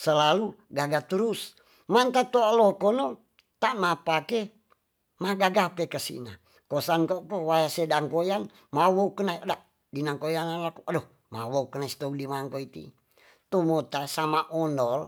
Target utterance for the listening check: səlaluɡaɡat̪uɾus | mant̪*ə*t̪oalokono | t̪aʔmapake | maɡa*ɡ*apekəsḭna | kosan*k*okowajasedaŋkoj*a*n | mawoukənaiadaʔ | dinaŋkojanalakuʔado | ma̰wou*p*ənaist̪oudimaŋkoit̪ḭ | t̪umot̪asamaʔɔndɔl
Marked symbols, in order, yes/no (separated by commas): no, yes, yes, yes, no